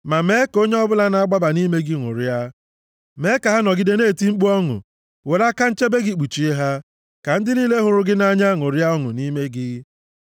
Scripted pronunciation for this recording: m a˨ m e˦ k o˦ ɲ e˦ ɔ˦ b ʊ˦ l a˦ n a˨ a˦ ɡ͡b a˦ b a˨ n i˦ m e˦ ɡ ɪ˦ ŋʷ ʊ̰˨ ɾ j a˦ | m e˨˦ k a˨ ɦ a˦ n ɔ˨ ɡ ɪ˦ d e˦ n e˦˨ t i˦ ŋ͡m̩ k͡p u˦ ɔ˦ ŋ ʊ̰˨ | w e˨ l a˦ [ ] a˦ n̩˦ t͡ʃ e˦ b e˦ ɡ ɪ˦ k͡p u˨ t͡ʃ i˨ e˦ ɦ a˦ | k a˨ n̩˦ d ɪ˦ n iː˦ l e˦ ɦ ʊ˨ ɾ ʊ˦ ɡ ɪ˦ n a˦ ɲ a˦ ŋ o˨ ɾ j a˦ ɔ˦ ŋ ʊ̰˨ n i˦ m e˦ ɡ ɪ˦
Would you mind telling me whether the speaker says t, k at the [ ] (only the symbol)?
k